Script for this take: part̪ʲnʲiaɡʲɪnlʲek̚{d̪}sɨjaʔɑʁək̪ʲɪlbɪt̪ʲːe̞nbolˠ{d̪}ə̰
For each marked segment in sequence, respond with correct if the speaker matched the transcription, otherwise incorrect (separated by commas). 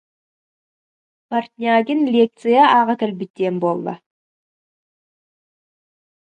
incorrect, correct